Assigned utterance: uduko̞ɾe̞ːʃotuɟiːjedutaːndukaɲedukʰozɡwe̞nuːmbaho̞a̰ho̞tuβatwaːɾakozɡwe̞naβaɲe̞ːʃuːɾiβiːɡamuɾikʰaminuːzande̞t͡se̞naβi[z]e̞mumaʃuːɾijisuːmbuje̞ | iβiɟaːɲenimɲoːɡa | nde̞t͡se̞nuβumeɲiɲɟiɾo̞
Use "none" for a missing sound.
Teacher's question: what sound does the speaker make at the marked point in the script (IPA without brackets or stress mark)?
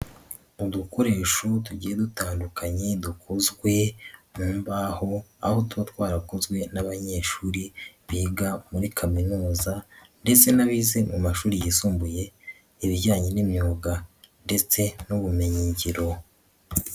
z